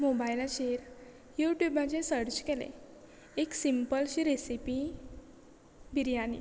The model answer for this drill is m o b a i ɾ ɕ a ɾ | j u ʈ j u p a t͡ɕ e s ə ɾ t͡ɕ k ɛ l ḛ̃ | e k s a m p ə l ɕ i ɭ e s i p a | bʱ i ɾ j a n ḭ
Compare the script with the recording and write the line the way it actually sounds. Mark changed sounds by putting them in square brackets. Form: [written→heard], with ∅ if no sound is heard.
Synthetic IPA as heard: m o b a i [ɾ→l] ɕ [a→e] ɾ | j u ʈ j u [p→b] a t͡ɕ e s ə ɾ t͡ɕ k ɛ l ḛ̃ | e k s [a→i] m p ə l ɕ i [ɭ→ɾ] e s i p [a→i] | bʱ i ɾ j a n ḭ